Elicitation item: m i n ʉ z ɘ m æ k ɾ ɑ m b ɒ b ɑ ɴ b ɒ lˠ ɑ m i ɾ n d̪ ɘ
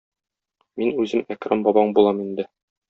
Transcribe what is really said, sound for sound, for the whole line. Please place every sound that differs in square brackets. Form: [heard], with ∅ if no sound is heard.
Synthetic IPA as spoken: m i n ʉ z ɘ m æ k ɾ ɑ m b ɒ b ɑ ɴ b [u] lˠ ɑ m i [∅] n d̪ ɘ